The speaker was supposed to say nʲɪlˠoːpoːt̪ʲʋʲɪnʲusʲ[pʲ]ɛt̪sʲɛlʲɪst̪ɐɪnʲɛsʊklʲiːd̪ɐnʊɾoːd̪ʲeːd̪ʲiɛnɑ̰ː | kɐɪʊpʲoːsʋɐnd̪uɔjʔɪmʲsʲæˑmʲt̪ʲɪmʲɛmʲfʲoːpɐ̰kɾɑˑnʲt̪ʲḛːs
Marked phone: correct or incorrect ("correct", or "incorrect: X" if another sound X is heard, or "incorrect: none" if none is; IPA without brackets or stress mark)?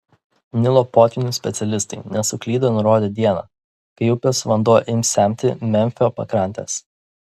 correct